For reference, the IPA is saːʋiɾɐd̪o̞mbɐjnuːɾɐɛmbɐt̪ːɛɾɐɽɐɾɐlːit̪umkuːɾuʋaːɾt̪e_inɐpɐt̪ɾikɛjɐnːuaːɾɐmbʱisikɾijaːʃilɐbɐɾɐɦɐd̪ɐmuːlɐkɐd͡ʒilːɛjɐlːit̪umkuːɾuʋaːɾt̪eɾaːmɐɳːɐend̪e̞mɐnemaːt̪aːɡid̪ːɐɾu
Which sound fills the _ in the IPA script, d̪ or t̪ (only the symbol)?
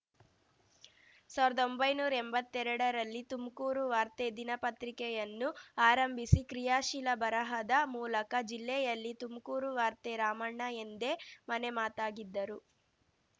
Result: d̪